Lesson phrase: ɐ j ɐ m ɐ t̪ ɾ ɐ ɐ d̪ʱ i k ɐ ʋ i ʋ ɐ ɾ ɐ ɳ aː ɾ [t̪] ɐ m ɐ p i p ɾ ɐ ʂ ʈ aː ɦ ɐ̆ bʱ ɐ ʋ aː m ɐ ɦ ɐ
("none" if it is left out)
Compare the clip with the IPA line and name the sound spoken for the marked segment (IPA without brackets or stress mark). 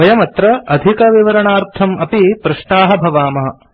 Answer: t̪ʰ